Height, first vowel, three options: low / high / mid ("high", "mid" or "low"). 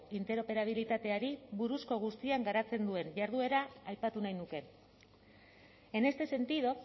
high